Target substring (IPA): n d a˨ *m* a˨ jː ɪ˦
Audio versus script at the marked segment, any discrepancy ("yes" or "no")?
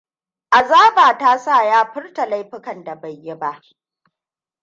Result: yes